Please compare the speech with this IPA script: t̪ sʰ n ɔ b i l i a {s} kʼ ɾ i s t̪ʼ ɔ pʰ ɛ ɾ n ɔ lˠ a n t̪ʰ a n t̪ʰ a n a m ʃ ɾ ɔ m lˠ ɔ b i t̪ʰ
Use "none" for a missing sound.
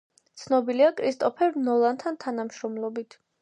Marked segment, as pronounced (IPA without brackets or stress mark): none